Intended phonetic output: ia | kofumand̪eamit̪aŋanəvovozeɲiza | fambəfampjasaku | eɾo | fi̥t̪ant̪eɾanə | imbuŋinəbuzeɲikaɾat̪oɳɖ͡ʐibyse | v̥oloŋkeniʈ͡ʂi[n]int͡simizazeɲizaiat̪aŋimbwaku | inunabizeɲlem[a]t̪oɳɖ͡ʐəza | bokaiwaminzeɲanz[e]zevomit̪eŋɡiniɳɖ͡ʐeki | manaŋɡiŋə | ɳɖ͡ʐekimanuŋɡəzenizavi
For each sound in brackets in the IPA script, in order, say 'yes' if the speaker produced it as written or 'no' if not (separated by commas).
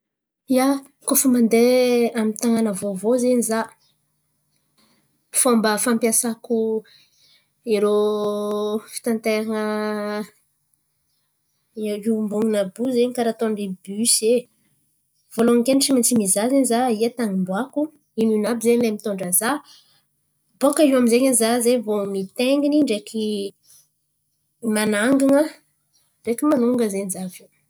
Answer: no, no, no